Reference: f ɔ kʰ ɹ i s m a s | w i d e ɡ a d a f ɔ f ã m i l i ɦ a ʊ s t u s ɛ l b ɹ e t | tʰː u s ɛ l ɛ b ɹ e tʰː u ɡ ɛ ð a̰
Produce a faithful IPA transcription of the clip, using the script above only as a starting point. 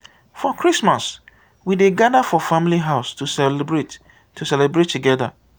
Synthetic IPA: f ɔ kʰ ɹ i s m a s | w i d e ɡ a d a f ɔ f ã m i l i ɦ a ʊ s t u s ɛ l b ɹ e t | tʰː u s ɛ l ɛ b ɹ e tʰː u ɡ ɛ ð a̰